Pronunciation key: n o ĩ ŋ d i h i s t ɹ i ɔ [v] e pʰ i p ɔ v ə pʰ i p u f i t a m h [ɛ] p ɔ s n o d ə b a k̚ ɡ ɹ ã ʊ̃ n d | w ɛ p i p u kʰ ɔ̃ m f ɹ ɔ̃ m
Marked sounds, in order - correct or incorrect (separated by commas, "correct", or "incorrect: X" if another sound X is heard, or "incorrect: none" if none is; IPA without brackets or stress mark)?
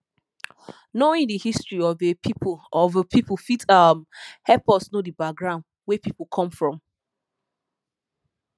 correct, correct